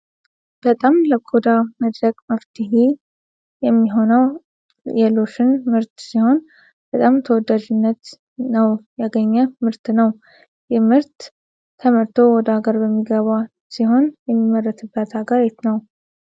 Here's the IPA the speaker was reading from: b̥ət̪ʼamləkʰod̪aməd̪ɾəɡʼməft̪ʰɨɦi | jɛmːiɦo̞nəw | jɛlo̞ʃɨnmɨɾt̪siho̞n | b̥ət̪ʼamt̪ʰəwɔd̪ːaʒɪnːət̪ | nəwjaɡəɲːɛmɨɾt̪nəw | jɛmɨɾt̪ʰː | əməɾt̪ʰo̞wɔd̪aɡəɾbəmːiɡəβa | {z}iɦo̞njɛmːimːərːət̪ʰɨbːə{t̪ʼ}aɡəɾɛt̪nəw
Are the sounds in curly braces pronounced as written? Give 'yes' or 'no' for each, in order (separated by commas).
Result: no, no